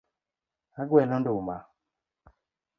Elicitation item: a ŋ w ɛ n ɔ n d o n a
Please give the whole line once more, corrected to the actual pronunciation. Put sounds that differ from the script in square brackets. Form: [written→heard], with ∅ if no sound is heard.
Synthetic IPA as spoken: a [ŋ→ɡ] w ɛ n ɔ n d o [n→m] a